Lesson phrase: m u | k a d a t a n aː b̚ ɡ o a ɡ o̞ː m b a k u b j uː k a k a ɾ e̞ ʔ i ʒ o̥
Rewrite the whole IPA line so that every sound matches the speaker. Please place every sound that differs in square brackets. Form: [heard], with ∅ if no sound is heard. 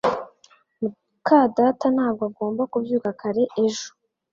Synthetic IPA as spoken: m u | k a d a t a n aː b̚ ɡ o a ɡ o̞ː m b a k u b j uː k a k a ɾ e̞ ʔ [e] ʒ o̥